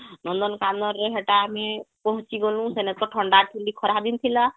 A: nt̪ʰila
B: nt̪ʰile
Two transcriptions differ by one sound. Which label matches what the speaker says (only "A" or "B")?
A